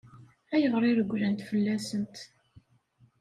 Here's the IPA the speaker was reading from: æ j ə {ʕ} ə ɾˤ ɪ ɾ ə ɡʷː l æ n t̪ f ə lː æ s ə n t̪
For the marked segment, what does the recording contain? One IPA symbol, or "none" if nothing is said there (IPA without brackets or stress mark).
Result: ʁ